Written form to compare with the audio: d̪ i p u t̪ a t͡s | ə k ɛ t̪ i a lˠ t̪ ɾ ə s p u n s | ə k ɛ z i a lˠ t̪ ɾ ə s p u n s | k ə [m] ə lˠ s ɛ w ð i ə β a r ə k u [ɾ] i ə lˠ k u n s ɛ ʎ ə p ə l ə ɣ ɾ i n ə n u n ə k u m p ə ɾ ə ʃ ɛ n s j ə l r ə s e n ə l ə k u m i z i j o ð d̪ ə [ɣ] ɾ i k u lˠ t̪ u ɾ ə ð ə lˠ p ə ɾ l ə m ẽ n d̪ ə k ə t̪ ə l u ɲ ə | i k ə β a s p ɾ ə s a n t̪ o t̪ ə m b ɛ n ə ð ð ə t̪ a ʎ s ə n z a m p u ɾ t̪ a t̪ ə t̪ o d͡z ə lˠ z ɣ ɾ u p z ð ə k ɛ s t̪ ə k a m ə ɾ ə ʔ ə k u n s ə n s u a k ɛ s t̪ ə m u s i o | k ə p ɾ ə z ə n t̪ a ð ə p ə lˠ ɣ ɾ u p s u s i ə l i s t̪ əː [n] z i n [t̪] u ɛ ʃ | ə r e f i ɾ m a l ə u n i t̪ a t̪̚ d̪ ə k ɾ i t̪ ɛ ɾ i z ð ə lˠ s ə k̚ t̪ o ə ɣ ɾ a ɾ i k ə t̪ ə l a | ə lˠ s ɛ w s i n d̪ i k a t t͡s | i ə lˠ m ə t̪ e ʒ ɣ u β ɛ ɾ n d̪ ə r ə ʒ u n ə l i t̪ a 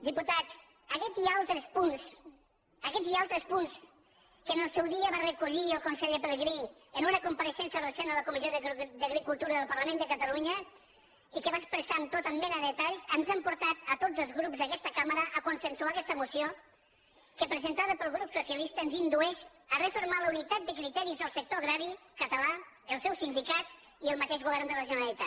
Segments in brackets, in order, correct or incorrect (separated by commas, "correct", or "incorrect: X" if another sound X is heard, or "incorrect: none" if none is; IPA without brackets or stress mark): incorrect: n, incorrect: ʎ, correct, correct, incorrect: d̪